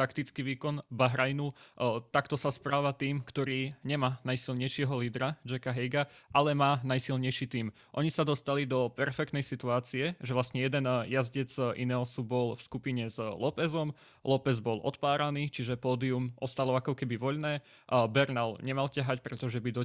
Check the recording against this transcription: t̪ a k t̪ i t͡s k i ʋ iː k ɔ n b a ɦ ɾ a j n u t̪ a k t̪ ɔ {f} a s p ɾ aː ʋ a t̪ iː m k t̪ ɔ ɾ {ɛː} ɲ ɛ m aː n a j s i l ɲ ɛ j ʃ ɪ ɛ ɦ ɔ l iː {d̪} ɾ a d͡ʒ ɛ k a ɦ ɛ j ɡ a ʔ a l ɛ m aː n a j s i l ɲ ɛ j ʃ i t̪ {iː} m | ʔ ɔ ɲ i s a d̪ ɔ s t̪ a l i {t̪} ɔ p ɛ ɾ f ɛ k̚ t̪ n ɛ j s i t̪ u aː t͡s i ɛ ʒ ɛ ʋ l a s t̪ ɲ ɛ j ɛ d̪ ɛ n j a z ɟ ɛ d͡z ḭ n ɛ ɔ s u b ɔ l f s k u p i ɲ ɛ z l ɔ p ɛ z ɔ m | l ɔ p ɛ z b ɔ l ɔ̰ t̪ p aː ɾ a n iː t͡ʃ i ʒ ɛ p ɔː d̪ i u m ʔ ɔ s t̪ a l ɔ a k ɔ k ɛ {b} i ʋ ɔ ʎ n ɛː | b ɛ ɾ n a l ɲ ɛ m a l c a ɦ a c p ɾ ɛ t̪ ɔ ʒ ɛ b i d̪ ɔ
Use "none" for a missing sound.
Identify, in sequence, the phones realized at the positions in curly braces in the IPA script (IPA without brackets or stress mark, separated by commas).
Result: s, iː, d̪, iː, d̪, b